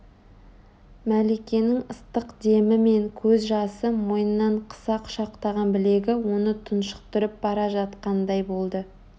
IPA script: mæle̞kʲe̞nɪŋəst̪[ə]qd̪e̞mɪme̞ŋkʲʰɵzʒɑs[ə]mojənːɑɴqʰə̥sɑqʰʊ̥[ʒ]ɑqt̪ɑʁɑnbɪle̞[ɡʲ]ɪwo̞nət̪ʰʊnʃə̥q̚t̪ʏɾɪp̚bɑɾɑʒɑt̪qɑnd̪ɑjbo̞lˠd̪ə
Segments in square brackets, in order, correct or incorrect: correct, correct, incorrect: ʃ, correct

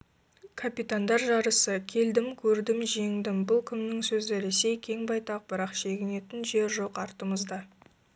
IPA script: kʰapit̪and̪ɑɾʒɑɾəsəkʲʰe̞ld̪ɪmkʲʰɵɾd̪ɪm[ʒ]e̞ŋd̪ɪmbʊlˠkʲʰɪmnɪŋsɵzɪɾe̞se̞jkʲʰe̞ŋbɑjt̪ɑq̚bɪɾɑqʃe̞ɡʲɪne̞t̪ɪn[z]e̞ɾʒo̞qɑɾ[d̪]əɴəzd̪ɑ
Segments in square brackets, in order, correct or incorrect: correct, incorrect: ʒ, incorrect: t̪

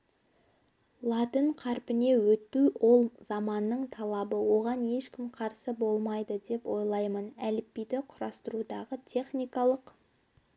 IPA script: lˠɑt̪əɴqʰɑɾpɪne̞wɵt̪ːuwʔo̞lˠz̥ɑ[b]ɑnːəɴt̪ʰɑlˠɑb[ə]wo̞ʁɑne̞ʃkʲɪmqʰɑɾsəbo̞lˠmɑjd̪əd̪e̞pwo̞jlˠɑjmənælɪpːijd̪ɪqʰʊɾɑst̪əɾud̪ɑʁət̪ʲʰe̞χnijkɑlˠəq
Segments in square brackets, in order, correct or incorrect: incorrect: m, correct

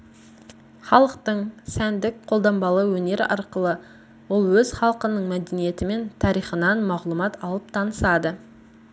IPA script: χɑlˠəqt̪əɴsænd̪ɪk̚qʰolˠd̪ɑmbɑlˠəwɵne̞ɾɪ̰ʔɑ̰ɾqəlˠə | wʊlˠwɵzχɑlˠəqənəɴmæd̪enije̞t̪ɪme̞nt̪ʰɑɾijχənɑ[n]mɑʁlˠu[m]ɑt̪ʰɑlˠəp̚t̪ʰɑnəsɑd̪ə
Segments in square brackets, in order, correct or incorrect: correct, correct

